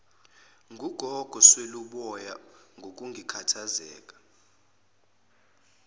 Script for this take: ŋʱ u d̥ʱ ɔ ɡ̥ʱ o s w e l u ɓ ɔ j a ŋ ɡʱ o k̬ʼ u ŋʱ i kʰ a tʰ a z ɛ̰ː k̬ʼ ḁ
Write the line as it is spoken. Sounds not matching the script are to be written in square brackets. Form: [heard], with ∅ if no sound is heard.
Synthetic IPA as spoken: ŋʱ u [ɡ̥ʱ] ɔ ɡ̥ʱ [ɔ] s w e l u ɓ ɔ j a ŋ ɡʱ o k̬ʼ u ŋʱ i kʰ a tʰ a z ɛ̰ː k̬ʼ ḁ